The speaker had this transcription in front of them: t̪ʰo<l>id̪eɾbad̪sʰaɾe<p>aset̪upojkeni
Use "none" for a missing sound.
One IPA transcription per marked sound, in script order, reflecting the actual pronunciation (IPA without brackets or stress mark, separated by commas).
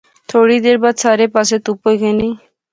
ɽ, p